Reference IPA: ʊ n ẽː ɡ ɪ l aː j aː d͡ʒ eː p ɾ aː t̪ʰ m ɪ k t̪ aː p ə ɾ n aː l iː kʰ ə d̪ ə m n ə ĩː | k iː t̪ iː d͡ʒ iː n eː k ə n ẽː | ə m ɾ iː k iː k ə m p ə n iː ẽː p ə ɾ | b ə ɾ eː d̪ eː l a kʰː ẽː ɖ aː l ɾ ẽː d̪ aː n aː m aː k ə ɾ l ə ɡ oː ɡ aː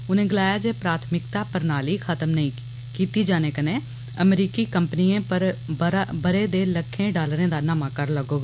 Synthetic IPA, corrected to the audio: ʊ n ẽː ɡ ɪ l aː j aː d͡ʒ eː p ɾ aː t̪ʰ m ɪ k t̪ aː p ə ɾ n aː l iː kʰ ə t̪ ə m n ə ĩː | k iː t̪ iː d͡ʒ aː n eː k ə n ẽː | ə m ɾ iː k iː k ə m p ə n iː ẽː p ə ɾ | b ə ɾ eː d̪ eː l ə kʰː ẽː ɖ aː l ɾ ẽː d̪ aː n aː m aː k ə ɾ l ə ɡ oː ɡ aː